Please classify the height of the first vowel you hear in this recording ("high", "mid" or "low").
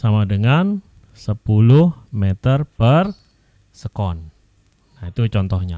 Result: low